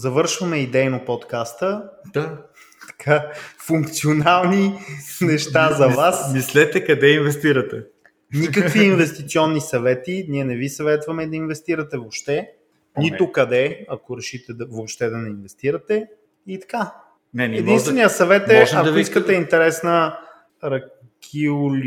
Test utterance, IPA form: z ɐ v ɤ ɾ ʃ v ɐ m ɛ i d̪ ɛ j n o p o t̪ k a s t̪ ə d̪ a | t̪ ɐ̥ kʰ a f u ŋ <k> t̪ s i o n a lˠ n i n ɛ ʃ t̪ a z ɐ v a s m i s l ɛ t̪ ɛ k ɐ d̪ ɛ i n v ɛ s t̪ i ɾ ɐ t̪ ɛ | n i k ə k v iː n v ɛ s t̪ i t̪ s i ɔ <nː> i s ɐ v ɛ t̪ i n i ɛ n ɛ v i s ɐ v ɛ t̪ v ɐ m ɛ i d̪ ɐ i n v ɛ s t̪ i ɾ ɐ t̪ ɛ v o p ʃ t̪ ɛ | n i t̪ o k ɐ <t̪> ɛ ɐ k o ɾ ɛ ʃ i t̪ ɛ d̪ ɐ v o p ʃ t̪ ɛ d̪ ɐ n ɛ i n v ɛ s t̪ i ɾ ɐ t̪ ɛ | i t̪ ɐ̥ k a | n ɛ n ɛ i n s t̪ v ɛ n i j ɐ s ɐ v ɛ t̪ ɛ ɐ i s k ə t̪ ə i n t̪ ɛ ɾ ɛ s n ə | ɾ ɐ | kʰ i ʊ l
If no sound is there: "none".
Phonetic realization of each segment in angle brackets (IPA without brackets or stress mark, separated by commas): k, nː, d̪